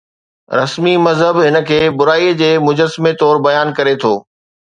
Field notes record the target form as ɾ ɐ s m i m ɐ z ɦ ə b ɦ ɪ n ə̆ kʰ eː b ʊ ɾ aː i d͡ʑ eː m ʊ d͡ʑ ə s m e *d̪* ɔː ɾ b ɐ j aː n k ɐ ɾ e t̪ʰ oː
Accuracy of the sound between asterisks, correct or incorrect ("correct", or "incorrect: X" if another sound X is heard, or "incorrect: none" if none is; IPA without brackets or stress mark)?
incorrect: t̪